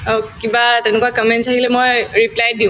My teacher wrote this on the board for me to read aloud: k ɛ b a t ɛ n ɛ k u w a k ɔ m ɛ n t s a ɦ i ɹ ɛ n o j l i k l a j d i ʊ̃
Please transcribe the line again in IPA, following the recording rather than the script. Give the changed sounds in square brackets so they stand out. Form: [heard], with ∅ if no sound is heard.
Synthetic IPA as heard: k [i] b a t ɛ n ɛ k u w a k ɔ m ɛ n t s a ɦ i [l] ɛ [m] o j [ɹ] i [p] l a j d i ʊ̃